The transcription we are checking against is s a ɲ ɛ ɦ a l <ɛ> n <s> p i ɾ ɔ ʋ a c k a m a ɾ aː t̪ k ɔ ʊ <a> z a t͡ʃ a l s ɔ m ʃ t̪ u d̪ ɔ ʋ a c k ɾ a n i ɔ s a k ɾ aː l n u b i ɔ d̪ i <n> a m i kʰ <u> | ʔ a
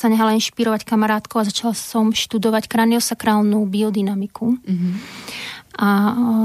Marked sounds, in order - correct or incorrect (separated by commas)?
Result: incorrect, incorrect, correct, correct, correct